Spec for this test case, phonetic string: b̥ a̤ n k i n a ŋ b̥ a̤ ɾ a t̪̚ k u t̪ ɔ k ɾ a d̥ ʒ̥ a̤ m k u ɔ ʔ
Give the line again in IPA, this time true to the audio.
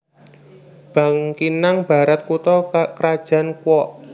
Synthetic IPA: b̥ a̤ ŋ k i n a ŋ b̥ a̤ ɾ a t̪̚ k u t̪ ɔ k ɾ a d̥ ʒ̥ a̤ n k w ɔ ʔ

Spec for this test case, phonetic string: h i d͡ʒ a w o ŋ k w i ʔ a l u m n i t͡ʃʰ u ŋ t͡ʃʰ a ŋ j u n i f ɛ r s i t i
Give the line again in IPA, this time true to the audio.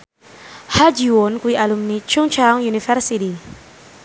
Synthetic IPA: h a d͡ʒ i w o n k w i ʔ a l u m n i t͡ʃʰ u ŋ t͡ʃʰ a ŋ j u n i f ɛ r s i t i

